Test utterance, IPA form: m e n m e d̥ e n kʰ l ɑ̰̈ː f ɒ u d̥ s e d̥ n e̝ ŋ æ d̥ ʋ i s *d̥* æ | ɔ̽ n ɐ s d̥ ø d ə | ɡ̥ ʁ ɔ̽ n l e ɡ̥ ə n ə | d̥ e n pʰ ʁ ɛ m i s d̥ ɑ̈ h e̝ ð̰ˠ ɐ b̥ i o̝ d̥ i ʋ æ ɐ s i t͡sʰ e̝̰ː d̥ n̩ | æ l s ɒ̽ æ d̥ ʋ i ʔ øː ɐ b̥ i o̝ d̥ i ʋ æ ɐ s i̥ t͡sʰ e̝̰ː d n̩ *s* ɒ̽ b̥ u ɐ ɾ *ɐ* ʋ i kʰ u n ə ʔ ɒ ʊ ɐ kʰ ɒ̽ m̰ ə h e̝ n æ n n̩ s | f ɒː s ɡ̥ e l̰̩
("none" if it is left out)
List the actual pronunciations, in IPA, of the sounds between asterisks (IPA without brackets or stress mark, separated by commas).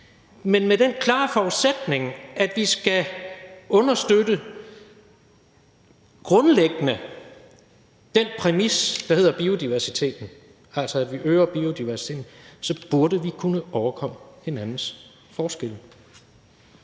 ɡ̥, s, ə